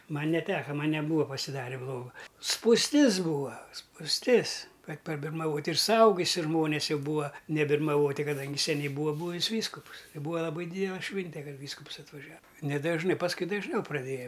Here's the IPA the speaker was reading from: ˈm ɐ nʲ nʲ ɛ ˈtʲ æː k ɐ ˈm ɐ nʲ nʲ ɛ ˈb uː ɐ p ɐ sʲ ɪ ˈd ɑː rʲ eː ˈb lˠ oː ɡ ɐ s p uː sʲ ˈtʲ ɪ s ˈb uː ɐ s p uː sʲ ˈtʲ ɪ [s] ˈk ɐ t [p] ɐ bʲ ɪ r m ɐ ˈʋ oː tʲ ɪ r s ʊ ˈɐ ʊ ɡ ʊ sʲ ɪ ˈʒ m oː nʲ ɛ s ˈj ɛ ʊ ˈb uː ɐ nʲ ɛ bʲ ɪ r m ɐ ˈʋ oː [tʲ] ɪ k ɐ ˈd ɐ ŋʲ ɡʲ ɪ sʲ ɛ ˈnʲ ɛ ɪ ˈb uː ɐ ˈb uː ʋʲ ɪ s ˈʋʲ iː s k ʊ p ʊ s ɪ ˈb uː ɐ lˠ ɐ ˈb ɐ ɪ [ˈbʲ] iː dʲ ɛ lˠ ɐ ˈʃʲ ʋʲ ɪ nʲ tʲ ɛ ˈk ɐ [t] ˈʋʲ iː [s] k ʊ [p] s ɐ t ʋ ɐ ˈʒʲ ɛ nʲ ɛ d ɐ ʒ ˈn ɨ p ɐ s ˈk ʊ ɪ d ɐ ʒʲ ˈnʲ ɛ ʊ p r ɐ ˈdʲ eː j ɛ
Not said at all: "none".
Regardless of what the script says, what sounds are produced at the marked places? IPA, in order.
s, p, tʲ, dʲ, t, s, p

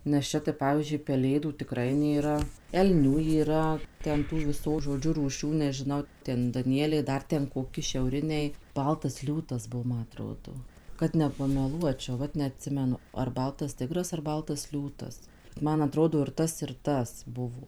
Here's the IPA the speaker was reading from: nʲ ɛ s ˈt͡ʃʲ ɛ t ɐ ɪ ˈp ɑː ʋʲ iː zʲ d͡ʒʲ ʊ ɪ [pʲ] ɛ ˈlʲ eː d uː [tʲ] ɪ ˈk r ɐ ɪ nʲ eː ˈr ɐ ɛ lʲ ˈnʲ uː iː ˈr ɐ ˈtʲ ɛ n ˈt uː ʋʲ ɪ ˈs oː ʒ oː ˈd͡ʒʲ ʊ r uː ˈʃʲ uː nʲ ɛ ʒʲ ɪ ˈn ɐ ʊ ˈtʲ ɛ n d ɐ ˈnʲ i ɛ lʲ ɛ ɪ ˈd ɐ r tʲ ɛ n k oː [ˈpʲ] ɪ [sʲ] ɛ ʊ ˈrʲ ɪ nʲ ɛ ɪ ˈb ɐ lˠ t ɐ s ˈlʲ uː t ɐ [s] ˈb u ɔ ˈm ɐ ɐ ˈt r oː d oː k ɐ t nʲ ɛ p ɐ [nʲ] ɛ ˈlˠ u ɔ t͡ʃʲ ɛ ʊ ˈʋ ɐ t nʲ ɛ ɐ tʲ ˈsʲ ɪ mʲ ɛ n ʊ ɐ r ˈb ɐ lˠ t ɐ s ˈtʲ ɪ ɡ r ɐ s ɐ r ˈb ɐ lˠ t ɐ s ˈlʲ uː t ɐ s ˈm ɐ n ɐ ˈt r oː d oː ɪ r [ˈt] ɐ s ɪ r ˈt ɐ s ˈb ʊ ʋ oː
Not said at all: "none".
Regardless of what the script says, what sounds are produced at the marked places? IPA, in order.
pʲ, tʲ, kʲ, ʃʲ, s, mʲ, t

